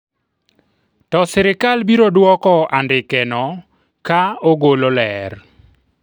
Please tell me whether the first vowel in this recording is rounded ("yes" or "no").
yes